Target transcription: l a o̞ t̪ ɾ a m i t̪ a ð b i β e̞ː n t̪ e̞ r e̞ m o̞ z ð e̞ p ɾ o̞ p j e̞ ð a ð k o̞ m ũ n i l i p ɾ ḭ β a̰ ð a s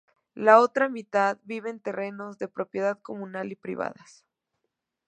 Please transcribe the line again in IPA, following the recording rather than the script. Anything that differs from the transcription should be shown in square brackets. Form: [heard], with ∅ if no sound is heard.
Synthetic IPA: l a o̞ t̪ ɾ a m i t̪ a ð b i β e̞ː n t̪ e̞ r e̞ [n] o̞ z ð e̞ p ɾ o̞ p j e̞ ð a ð k o̞ m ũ n [a] l i p ɾ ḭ β a̰ ð a s

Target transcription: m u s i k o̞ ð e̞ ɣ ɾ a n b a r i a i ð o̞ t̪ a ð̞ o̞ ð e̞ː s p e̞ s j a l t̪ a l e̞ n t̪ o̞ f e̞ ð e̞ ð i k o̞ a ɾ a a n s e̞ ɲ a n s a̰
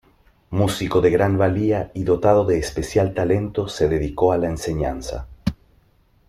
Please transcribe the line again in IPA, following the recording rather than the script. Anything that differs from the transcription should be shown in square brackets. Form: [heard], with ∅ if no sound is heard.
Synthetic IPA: m u s i k o̞ ð e̞ ɣ ɾ a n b a [l] i a i ð o̞ t̪ a ð̞ o̞ ð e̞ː s p e̞ s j a l t̪ a l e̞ n t̪ o̞ [s] e̞ ð e̞ ð i k o̞ a [l] a [e] n s e̞ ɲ a n s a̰

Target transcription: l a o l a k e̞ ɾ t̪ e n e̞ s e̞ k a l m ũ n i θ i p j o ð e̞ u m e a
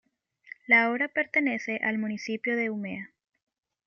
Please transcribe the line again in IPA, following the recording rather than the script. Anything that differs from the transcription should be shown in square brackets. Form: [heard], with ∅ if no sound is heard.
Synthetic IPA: l a o [ɾ] a [p] e̞ ɾ t̪ e n e̞ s e̞ [ʔ] a l m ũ n i [s] i p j o ð e̞ u m e a

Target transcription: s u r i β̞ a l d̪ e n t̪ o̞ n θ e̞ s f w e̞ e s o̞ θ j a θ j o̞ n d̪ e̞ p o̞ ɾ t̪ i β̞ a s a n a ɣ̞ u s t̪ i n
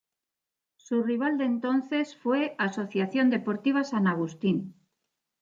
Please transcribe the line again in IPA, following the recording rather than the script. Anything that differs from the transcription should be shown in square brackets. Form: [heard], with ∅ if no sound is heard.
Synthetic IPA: s u r i β̞ a l d̪ e n t̪ o̞ n θ e̞ s f w e̞ [a] s o̞ θ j a θ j o̞ n d̪ e̞ p o̞ ɾ t̪ i β̞ a s a n a ɣ̞ u s t̪ i n

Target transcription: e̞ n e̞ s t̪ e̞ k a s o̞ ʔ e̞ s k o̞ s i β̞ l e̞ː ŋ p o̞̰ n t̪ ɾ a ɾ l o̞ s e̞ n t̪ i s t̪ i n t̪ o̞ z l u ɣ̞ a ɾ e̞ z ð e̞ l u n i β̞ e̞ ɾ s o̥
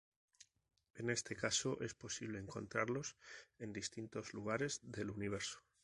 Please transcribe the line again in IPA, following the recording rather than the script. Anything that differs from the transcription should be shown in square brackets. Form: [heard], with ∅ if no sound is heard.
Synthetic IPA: e̞ n e̞ s t̪ e̞ k a s o̞ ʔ e̞ s [p] o̞ s i β̞ l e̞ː ŋ [k] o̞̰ n t̪ ɾ a ɾ l o̞ s e̞ n [d̪] i s t̪ i n t̪ o̞ z l u ɣ̞ a ɾ e̞ z ð e̞ l u n i β̞ e̞ ɾ s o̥

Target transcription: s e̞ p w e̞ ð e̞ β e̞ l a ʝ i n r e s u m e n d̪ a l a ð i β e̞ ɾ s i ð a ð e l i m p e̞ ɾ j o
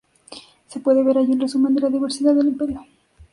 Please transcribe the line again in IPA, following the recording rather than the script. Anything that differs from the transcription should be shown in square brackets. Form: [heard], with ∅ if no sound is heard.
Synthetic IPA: s e̞ p w e̞ ð e̞ β e̞ [ɾ] a ʝ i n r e s u m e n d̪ [e] l a ð i β e̞ ɾ s i ð a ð e l i m p e̞ ɾ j o

